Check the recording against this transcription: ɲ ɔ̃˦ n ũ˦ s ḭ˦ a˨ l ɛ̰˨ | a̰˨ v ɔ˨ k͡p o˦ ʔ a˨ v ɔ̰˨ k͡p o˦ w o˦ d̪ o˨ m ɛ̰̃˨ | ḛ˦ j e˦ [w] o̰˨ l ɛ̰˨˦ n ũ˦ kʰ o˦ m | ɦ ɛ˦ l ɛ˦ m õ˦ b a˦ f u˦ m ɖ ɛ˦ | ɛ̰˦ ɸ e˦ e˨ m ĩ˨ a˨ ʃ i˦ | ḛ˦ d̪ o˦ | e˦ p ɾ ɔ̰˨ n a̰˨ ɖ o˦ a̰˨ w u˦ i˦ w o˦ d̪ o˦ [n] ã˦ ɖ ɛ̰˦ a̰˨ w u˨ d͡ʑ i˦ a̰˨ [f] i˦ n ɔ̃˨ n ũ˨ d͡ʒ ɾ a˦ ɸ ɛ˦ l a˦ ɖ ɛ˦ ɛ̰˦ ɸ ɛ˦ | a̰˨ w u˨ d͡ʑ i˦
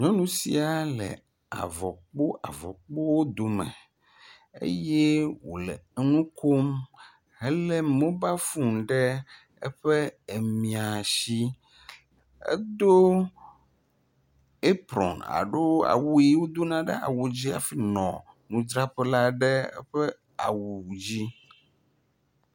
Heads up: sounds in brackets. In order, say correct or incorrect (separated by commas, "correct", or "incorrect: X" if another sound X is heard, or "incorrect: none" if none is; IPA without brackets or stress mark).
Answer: correct, correct, correct